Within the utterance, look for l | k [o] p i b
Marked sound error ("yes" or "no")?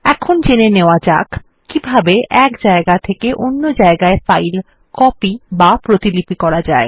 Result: yes